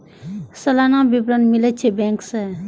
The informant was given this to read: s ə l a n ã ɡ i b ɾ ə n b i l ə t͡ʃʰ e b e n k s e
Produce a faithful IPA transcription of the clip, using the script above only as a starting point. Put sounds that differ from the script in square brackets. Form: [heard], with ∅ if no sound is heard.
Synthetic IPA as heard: s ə l a n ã [b] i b ɾ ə n [m] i l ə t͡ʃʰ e b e [ŋ] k s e

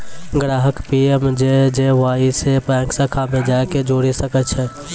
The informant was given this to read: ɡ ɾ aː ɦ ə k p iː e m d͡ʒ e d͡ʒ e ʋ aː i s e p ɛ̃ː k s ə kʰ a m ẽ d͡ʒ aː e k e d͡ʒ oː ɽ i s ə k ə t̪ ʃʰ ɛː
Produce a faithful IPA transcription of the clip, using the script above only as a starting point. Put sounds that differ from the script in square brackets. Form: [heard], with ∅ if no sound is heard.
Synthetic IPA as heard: ɡ ɾ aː ɦ ə k p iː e m d͡ʒ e d͡ʒ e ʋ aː i s e p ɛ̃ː k s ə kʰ a m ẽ d͡ʒ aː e k e d͡ʒ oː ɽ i s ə k ə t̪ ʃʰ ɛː

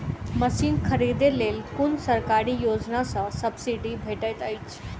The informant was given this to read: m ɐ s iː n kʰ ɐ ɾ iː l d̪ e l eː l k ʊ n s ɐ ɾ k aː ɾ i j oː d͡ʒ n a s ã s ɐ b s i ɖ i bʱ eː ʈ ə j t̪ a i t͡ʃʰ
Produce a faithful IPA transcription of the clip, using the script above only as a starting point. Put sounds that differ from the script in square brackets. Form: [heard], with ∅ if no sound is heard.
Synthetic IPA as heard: m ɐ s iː n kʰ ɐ ɾ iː [∅] d̪ e l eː l k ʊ n s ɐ ɾ k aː ɾ i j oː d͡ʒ n a s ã s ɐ b s i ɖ i bʱ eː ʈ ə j t̪ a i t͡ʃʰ

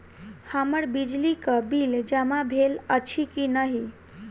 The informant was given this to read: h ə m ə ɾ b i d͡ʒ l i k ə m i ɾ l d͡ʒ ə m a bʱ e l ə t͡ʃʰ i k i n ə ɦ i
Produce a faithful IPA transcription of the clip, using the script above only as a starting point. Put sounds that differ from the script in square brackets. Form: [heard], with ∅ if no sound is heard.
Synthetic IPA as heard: h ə m ə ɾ b i d͡ʒ l i k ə [b] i [∅] l d͡ʒ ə m a bʱ e l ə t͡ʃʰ i k i n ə ɦ i

